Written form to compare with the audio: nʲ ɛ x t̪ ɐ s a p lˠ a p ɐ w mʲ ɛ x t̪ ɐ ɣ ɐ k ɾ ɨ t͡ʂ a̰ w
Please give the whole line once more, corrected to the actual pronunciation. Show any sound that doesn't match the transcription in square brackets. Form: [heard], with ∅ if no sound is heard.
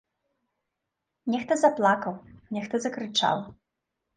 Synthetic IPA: nʲ ɛ x t̪ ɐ [z] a p lˠ a [k] ɐ w [nʲ] ɛ x t̪ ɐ [z] ɐ k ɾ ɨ t͡ʂ a̰ w